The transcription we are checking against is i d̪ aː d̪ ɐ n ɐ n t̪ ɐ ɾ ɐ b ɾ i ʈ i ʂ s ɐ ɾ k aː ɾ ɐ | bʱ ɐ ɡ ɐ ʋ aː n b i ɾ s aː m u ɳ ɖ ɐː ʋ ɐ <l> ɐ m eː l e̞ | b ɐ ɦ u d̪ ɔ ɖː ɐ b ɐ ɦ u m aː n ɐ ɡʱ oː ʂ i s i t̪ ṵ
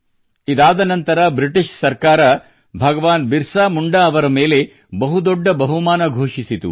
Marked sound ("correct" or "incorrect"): incorrect